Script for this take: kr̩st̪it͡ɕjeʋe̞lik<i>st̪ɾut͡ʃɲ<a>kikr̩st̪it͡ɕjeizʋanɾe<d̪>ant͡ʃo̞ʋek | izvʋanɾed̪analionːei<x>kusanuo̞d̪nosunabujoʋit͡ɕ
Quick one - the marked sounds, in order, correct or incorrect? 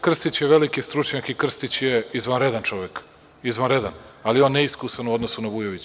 correct, correct, correct, incorrect: s

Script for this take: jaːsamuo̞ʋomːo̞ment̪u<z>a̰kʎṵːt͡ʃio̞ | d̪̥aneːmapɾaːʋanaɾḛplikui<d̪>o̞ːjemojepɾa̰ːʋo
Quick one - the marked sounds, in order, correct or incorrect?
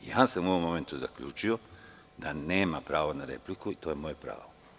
correct, incorrect: t̪

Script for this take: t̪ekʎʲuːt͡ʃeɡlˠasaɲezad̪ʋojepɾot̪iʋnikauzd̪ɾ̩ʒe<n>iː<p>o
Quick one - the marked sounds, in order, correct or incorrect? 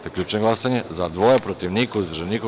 correct, incorrect: k

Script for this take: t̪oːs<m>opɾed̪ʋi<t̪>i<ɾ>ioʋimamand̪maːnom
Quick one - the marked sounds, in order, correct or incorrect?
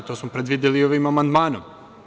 correct, incorrect: d̪, incorrect: l

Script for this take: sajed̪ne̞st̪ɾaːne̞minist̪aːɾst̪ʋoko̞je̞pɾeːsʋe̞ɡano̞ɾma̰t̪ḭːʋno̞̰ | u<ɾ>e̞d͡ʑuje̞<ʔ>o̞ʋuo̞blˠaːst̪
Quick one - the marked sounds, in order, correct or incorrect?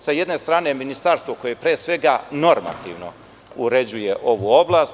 correct, correct

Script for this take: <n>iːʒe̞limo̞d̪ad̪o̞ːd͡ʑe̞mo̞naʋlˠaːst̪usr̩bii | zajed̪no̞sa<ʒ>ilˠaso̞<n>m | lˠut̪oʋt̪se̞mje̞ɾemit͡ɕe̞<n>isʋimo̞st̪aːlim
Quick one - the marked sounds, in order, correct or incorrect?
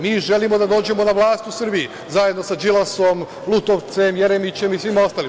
incorrect: m, incorrect: d͡ʒ, incorrect: none, incorrect: m

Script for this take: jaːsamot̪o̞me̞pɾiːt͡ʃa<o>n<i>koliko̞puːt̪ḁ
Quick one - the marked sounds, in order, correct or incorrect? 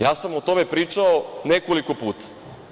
correct, incorrect: e

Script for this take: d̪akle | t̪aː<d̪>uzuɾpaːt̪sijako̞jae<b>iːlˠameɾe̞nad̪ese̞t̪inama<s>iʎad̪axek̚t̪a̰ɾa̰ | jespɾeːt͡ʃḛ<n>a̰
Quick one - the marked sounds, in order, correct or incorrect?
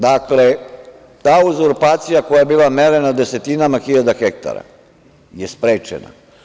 incorrect: none, correct, incorrect: x, correct

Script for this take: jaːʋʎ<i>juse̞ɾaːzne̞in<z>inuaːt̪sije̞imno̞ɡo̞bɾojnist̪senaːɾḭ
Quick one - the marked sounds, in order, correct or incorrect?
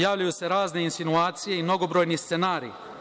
incorrect: a, incorrect: s

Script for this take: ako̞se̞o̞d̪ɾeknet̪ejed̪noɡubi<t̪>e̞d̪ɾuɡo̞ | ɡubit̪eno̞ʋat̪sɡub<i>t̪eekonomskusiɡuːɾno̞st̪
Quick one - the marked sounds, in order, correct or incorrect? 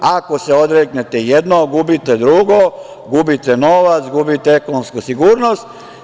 correct, correct

